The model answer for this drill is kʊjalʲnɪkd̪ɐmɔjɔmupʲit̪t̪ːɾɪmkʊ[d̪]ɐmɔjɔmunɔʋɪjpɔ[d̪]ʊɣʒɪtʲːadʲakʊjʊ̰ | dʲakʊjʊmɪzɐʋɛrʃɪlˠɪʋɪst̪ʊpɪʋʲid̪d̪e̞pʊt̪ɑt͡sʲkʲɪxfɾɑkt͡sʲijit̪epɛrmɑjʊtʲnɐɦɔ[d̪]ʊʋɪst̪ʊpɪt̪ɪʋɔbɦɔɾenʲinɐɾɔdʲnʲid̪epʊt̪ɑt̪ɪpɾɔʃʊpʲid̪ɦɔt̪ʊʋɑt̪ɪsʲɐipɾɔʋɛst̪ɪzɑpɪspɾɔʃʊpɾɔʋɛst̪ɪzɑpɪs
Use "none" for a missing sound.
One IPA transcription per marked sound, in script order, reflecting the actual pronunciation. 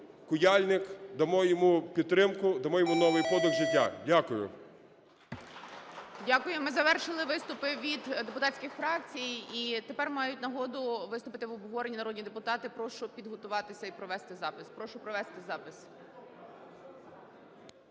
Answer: d̪, d̪, d̪

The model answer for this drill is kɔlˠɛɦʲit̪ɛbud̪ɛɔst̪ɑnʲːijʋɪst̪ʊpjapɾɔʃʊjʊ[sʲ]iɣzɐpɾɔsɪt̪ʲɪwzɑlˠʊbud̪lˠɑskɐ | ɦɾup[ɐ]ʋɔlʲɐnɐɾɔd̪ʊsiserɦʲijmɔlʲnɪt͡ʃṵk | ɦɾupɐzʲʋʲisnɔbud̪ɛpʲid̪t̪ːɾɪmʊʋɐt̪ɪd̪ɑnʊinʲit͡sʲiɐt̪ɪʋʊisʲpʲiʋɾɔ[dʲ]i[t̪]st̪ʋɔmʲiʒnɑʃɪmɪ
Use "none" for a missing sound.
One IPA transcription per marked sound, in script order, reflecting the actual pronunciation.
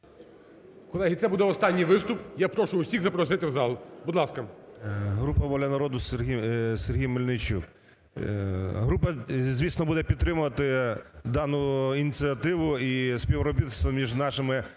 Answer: sʲ, ɐ, bʲ, t̪

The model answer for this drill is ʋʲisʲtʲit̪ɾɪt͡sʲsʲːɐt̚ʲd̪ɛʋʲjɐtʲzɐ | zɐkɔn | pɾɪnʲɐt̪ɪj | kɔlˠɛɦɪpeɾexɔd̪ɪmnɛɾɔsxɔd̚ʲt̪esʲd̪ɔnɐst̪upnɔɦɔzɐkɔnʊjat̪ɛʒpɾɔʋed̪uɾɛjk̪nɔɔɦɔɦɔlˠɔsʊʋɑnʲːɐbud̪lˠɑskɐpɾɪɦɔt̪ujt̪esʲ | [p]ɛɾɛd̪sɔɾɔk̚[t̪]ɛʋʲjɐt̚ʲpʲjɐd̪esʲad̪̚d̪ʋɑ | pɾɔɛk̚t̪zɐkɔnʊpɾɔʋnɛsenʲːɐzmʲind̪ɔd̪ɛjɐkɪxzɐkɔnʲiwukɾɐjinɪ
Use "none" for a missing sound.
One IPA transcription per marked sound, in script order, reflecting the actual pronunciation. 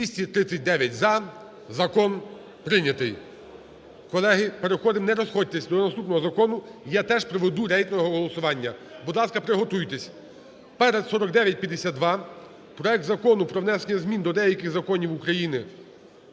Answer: p, d̪

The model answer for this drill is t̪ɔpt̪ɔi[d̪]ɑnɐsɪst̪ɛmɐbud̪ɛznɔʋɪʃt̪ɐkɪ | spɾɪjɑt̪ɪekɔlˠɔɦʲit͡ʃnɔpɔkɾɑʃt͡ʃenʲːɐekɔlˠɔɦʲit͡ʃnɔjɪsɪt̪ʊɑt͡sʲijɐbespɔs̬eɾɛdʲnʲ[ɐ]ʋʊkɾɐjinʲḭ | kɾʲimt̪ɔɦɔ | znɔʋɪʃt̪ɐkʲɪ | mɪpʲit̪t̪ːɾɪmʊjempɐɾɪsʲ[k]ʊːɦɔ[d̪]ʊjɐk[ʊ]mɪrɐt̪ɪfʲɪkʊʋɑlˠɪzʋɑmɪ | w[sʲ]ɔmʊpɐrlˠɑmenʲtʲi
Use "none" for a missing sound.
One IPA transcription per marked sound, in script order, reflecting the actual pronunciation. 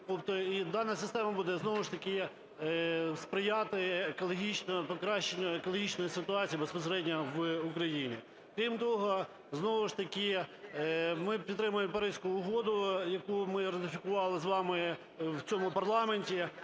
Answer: d̪, ɐ, k, d̪, u, t͡sʲ

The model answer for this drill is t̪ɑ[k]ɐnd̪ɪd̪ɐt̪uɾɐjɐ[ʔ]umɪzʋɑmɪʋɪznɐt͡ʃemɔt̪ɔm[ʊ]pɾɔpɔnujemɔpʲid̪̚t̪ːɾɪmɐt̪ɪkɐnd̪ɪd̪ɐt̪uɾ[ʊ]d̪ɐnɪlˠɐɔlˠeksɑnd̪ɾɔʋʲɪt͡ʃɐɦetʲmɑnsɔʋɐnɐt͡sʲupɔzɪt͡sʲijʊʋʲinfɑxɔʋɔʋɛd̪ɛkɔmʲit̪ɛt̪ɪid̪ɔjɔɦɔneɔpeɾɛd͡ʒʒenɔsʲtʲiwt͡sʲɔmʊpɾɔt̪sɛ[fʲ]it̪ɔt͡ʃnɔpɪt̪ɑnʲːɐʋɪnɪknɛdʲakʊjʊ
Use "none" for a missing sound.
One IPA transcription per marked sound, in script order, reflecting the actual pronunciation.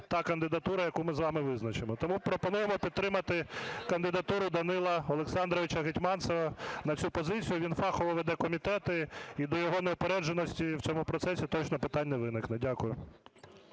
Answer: k, k, u, ʊ, sʲ

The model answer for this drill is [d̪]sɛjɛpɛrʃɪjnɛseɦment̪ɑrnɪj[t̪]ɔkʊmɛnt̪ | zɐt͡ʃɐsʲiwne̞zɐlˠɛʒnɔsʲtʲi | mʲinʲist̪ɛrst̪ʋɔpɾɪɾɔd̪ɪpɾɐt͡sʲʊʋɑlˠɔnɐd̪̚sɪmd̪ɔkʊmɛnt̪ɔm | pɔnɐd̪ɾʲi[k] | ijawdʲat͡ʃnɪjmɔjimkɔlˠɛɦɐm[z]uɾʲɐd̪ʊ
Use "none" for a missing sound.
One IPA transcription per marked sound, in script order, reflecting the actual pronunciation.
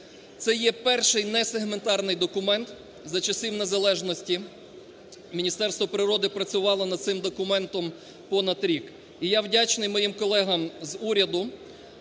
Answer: t̪, d̪, k, z

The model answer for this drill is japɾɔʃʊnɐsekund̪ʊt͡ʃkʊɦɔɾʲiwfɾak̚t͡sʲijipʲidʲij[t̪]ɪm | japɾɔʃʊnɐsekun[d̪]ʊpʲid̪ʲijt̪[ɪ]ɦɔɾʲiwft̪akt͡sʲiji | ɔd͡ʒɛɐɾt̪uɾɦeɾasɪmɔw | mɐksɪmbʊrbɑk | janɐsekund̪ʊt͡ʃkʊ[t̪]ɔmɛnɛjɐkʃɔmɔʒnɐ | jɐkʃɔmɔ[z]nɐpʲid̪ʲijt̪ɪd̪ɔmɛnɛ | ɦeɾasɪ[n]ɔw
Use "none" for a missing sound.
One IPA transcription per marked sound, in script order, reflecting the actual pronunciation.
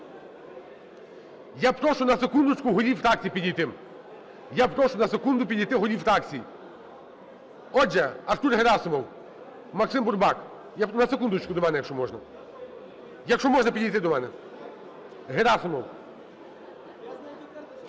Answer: t̪, d̪, ɪ, d̪, ʒ, m

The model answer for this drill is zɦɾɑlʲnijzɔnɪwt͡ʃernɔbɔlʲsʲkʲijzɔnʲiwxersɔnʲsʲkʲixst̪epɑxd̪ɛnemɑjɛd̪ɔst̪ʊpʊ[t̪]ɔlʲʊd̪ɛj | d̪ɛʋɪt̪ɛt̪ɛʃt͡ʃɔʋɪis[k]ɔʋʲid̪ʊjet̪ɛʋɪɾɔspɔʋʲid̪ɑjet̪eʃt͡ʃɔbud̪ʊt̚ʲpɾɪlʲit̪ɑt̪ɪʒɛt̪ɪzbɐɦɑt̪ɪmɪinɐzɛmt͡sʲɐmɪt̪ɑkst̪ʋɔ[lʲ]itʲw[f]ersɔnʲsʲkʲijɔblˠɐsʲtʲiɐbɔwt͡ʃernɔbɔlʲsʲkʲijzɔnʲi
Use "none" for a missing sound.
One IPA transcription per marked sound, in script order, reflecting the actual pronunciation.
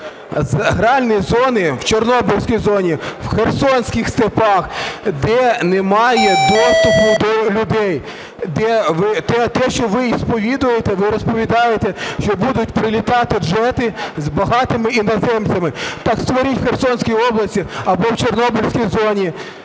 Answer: d̪, p, ɾʲ, x

